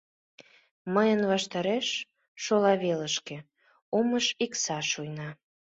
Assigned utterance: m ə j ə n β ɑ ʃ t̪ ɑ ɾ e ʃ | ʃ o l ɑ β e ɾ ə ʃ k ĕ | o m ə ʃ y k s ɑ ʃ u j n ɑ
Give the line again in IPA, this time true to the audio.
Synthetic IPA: m ə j ə n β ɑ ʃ t̪ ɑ ɾ e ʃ | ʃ o l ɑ β e l ə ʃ k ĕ | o m ə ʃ i k s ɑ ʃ u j n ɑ

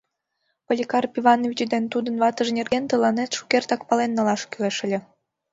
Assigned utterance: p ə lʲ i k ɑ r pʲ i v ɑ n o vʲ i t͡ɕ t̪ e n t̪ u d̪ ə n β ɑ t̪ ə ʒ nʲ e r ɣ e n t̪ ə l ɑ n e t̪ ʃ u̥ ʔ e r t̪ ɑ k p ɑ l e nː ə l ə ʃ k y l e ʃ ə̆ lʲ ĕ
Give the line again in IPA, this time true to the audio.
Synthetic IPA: p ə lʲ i k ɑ r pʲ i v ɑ n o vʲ i t͡ɕ d̪ e n t̪ u d̪ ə n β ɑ t̪ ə ʒ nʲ e r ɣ e n t̪ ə l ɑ n e t̪ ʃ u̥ k e r t̪ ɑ k p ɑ l e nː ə l ɑ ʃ k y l e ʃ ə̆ lʲ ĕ

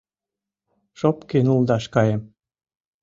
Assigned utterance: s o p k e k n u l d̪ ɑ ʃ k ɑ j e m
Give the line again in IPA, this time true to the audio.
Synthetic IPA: ʃ o p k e n u l d̪ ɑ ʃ k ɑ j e m

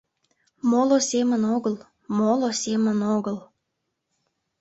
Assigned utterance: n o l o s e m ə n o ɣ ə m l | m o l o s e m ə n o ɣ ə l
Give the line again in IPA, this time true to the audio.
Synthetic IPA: m o l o s e m ə n o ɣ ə l | m o l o s e m ə n o ɣ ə l

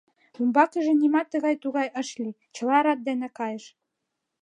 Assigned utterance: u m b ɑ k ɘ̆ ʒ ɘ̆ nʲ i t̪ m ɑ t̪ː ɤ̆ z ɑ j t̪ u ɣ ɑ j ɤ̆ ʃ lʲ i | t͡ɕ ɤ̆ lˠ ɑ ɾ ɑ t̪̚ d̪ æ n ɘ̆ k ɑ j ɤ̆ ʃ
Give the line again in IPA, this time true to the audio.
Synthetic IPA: u m b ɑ k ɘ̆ ʒ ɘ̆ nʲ i m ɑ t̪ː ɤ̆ ɣ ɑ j t̪ u ɣ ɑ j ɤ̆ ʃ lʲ i | t͡ɕ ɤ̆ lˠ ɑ ɾ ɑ t̪̚ d̪ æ n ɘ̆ k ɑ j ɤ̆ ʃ

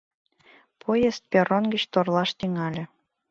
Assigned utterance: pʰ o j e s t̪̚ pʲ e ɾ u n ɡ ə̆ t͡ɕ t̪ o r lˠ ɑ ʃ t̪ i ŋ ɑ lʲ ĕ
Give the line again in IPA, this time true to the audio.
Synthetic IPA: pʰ o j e s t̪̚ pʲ e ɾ o n ɡ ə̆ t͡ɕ t̪ o r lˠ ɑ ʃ t̪ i ŋ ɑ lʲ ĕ

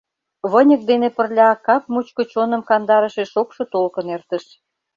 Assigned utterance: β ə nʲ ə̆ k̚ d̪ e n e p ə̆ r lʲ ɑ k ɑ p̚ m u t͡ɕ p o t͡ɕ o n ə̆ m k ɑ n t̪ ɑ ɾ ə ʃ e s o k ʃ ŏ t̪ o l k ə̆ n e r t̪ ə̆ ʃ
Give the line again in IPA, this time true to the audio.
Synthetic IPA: β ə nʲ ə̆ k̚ d̪ e n e p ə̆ r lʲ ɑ k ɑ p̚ m u t͡ɕ k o t͡ɕ o n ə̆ m k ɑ n d̪ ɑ ɾ ə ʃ e ʃ o k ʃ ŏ t̪ o l k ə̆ n e r t̪ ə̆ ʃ

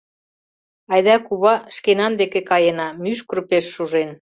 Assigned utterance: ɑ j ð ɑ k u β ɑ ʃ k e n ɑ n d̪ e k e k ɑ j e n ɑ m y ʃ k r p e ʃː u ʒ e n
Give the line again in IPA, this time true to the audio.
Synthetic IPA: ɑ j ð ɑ k u β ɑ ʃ k e n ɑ n d̪ e k e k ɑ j e n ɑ m y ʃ k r p e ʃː u ʒ e n

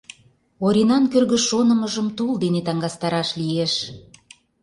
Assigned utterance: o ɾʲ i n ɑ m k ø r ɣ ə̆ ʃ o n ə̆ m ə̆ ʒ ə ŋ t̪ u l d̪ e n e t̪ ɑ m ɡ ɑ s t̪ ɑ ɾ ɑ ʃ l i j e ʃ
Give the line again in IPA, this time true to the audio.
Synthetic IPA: o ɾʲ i n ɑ n k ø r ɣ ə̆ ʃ o n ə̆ m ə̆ ʒ ə m t̪ u l d̪ e n e t̪ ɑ ŋ ɡ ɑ s t̪ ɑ ɾ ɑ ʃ l i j e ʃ

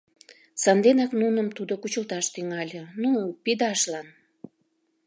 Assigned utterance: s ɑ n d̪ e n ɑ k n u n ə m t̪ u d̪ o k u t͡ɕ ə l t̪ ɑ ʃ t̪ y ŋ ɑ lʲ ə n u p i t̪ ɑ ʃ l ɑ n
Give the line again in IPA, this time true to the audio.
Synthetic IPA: s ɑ n d̪ e n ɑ k n u n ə m t̪ u d̪ o k u t͡ɕ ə l t̪ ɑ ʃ t̪ y ŋ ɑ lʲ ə n u p i d̪ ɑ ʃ l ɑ n

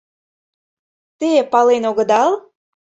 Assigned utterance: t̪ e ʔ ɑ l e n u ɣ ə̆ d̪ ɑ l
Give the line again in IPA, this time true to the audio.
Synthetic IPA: t̪ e p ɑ l e n o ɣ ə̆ d̪ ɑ l

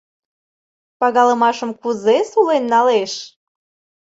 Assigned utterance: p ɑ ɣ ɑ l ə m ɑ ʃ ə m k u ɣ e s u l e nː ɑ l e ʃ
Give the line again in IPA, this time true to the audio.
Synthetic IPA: p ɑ ɣ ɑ l ə m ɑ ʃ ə m k u z e s u l e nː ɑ l e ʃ

